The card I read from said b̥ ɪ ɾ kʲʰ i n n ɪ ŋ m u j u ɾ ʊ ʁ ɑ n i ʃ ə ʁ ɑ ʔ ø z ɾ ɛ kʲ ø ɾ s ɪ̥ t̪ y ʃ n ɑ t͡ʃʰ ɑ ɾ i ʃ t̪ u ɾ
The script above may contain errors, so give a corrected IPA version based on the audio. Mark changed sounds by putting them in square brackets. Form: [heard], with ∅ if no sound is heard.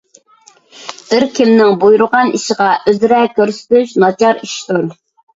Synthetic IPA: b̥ ɪ ɾ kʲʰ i [m] n ɪ ŋ [b] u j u ɾ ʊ ʁ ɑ n i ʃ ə ʁ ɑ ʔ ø z ɾ ɛ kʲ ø ɾ s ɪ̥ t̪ y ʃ n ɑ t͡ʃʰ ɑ ɾ i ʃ t̪ u ɾ